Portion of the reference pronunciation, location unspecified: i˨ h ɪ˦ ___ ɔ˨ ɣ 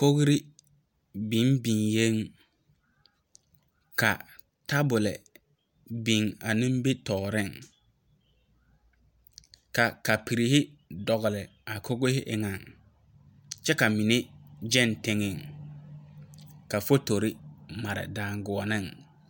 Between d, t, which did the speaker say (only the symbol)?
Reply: d